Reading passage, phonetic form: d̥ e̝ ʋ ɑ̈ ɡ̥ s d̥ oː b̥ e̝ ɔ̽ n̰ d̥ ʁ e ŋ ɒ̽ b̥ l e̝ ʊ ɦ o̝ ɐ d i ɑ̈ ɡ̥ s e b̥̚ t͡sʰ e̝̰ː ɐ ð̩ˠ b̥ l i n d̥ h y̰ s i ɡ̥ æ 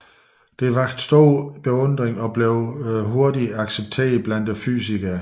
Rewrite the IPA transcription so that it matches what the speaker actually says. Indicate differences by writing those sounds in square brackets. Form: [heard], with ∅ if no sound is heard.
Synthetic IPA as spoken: d̥ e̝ ʋ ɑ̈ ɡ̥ s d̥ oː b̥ e̝ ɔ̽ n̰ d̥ ʁ e ŋ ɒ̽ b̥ l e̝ ʊ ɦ o̝ ɐ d i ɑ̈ ɡ̥ s e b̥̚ t͡sʰ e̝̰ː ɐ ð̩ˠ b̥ l [æ] n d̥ [f] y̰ s i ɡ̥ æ